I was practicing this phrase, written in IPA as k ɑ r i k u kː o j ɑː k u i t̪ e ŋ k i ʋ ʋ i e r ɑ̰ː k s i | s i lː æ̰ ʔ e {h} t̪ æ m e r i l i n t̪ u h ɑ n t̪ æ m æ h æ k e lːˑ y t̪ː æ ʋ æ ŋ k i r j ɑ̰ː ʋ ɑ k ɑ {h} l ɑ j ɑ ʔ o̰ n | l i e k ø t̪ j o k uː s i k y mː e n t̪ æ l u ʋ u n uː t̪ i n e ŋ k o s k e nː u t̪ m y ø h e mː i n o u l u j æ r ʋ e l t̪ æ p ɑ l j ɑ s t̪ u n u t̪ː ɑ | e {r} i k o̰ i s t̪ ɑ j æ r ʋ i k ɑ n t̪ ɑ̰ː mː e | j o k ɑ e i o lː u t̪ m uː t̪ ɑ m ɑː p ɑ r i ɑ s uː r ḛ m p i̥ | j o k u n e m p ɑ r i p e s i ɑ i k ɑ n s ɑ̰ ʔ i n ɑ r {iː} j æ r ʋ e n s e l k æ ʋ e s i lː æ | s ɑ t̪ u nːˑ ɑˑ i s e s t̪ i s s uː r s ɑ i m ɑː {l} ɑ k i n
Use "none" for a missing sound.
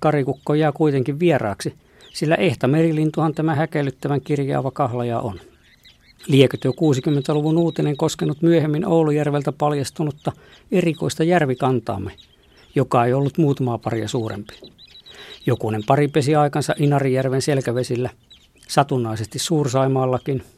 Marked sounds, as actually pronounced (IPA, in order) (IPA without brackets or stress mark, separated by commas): h, h, r, i, lː